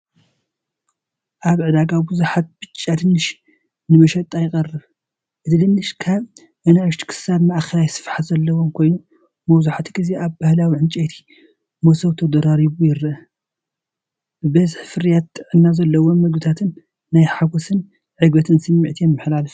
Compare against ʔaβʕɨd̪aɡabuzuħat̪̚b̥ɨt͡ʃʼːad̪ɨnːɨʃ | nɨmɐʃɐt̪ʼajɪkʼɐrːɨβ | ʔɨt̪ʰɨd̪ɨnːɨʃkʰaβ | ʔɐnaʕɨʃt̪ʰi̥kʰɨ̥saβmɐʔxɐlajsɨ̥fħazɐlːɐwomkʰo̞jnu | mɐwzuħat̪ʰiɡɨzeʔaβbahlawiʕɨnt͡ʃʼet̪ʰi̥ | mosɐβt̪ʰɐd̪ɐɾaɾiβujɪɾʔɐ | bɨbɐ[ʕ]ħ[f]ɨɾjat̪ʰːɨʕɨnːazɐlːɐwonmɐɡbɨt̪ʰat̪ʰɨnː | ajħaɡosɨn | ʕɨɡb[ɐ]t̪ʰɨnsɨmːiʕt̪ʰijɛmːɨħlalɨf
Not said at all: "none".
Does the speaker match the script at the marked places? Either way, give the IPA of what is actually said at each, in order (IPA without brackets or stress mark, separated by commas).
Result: z, f, ɐ